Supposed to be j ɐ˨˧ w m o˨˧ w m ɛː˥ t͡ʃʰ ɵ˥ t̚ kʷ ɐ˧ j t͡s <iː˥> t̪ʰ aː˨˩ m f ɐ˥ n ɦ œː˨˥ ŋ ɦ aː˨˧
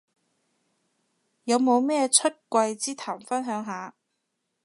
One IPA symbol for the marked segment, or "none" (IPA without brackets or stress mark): iː˥